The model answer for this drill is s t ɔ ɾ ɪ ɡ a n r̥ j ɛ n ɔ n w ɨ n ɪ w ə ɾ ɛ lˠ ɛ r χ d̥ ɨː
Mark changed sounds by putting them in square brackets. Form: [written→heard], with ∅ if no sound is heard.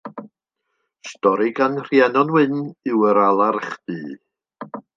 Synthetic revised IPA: s t ɔ ɾ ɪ ɡ a n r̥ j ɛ n ɔ n w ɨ n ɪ w ə ɾ [ɛ→a] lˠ [ɛ→a] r χ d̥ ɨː

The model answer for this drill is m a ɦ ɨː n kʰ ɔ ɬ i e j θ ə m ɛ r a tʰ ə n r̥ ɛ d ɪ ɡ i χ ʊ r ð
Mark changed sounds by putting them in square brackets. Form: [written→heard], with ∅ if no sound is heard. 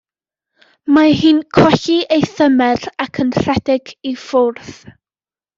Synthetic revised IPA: m a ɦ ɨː n kʰ ɔ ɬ i e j θ ə m ɛ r a [tʰ→kʰ] ə n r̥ ɛ d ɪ ɡ i [χ→f] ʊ r [ð→θ]

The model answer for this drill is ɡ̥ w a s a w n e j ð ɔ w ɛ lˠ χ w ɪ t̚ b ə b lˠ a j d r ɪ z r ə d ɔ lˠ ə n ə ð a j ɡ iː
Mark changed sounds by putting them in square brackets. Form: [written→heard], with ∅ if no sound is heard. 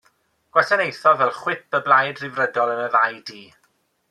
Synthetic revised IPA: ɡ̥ w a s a [w→∅] n e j [ð→θ] ɔ [w→v] ɛ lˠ χ w ɪ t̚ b ə b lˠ a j d r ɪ [z→v] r ə d ɔ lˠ ə n ə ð a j [ɡ→d] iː

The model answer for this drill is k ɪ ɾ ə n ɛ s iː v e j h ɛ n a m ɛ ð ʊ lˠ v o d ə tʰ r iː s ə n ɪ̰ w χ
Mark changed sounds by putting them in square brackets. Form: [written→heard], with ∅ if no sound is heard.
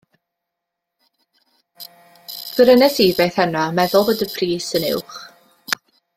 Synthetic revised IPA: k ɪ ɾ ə n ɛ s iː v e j [h→θ] ɛ n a m ɛ ð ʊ lˠ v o d ə [tʰ→pʰ] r iː s ə n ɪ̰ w χ

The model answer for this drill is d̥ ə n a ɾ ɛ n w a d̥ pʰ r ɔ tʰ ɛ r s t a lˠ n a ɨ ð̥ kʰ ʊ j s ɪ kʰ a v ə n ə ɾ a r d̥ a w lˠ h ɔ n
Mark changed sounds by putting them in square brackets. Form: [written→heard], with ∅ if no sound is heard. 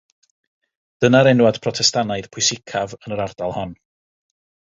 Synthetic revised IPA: d̥ ə n a ɾ ɛ n w a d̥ pʰ r ɔ tʰ ɛ [r→∅] s t a [lˠ→∅] n a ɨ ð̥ [kʰ→pʰ] ʊ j s ɪ kʰ a v ə n ə ɾ a r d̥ a [w→∅] lˠ h ɔ n

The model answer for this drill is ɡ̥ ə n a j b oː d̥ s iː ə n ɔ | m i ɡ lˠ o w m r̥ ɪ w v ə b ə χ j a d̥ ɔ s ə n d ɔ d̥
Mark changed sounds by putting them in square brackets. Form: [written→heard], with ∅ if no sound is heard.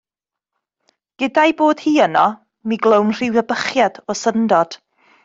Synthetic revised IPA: ɡ̥ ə [n→d] a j b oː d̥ [s→h] iː ə n ɔ | m i ɡ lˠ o w [m→n] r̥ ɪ w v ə b ə χ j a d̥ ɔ s ə n d ɔ d̥

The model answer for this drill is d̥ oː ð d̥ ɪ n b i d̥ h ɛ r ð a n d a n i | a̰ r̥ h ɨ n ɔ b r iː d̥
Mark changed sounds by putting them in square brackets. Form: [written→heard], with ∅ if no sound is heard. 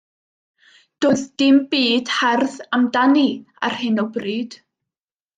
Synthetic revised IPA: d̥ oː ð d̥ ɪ [n→m] b [i→iː] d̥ h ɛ r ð a [n→m] d a n i | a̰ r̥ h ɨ n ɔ b r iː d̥

